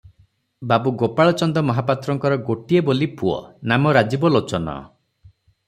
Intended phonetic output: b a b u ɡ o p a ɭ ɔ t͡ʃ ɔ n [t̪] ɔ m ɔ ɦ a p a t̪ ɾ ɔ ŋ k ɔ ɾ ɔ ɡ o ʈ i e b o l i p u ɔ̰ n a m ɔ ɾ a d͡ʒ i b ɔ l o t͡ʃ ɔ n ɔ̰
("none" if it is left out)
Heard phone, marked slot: d̪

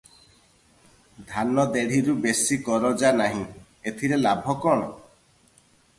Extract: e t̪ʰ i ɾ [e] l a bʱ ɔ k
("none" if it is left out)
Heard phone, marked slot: e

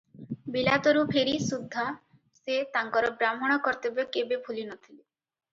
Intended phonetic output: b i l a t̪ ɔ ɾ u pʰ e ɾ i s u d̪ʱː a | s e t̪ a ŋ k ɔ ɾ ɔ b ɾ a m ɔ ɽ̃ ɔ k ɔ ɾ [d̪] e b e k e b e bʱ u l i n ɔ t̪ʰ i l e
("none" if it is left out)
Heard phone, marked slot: t̪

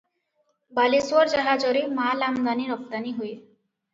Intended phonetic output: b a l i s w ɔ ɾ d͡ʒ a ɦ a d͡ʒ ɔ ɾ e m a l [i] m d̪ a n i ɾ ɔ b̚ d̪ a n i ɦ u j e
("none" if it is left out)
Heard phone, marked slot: a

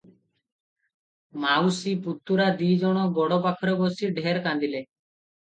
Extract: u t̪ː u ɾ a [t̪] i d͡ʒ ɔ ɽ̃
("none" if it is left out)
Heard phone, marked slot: d̪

